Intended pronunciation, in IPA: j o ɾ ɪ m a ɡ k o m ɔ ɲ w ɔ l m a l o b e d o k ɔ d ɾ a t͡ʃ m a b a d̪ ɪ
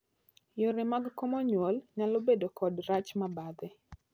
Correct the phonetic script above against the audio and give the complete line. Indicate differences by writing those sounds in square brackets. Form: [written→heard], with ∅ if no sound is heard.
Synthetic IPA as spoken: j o ɾ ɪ m a ɡ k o m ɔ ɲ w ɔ l [m→ɲ] a l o b e d o k ɔ d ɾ a t͡ʃ m a b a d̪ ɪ

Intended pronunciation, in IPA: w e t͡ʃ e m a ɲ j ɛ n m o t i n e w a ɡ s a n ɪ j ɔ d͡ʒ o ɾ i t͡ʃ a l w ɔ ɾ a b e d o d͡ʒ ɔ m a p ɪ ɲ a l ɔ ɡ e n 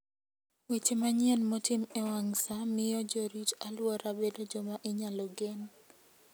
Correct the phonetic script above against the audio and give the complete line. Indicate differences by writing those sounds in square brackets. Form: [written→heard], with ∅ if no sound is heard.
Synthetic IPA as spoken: w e t͡ʃ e m a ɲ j ɛ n m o t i [n→m] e w a [ɡ→ŋ] s a [n→m] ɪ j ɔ d͡ʒ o ɾ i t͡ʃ a l w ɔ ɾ a b e d o d͡ʒ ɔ m a [p→ʔ] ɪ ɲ a l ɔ ɡ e n

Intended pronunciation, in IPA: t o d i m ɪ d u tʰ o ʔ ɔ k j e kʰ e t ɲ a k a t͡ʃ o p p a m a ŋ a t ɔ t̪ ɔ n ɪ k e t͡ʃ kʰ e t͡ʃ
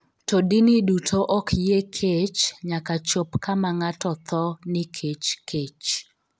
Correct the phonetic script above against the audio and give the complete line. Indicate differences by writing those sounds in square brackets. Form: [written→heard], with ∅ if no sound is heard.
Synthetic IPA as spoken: t o d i [m→n] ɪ d u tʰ o ʔ ɔ k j e kʰ e [t→t͡ʃ] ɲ a k a t͡ʃ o p [p→k] a m a ŋ a t ɔ t̪ ɔ n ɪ [k→kʰ] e t͡ʃ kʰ e t͡ʃ

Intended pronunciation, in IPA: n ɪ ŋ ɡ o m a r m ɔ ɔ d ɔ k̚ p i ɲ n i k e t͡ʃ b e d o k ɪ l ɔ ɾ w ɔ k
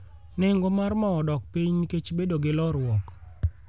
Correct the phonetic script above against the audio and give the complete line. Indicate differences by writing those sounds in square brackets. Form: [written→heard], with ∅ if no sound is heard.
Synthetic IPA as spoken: n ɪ ŋ ɡ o m a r m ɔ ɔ d ɔ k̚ p i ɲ n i k e t͡ʃ b e d o [k→ɡ] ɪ l ɔ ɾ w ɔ k

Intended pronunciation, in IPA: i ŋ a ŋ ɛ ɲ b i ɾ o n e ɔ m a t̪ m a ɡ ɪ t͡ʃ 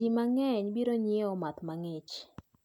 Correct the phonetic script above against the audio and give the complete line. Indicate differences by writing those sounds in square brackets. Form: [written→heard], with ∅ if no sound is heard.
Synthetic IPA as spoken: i [ŋ→m] a ŋ ɛ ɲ b i ɾ o [n→ɲ] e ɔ m a t̪ m a [ɡ→ŋ] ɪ t͡ʃ

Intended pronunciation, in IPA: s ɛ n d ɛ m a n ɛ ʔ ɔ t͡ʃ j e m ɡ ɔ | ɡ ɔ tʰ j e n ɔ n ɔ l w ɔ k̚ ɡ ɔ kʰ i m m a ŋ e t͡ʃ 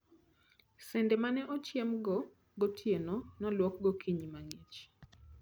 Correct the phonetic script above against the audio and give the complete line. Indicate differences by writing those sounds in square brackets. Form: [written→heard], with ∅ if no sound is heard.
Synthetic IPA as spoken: s ɛ n d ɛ m a n ɛ ʔ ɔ t͡ʃ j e m ɡ ɔ | ɡ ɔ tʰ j e n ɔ n ɔ l w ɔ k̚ ɡ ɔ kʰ i [m→ɲ] m a ŋ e t͡ʃ

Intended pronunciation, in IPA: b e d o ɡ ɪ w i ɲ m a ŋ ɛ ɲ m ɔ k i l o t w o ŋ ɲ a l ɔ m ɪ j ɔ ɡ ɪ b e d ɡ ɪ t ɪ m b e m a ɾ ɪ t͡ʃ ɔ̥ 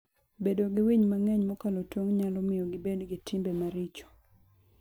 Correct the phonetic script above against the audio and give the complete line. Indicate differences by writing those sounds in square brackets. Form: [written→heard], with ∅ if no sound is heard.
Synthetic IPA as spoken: b e d o ɡ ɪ w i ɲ m a ŋ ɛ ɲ m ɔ k [i→a] l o t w o ŋ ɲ a l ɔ m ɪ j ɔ ɡ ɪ b e d ɡ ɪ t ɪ m b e m a ɾ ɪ t͡ʃ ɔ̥

